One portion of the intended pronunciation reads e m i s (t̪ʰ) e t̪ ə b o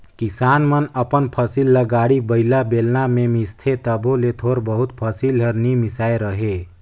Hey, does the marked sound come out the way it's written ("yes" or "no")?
yes